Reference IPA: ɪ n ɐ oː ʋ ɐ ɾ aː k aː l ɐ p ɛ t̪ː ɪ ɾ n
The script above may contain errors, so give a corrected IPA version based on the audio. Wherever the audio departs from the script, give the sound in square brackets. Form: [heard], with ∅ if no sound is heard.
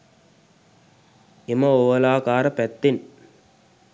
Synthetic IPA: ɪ [m] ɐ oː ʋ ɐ [l] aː k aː [ɾ] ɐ p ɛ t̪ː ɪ [∅] n